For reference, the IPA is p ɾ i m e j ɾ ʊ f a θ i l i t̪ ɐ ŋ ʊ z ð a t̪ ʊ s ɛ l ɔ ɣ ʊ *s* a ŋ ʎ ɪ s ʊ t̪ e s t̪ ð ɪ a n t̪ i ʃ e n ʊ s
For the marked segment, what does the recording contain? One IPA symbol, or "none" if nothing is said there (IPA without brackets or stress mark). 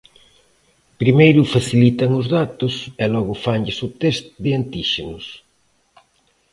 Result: f